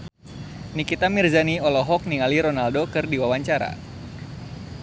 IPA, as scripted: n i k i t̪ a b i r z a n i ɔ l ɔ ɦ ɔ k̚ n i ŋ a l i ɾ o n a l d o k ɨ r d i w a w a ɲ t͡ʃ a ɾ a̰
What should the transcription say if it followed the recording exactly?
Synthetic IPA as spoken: n i k i t̪ a m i r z a n i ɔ l ɔ ɦ ɔ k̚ n i ŋ a l i ɾ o n a l d o k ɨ r d i w a w a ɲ t͡ʃ a ɾ a̰